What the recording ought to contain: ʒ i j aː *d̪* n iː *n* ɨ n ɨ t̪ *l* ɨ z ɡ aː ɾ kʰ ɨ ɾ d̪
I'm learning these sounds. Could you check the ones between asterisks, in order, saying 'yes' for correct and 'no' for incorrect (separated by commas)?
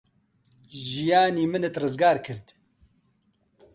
no, no, no